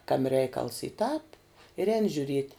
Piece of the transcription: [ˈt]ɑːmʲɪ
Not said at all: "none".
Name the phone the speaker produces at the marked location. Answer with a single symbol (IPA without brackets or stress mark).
k